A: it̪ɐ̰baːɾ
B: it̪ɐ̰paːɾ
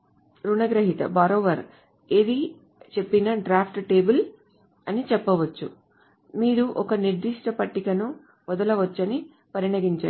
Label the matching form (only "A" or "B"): A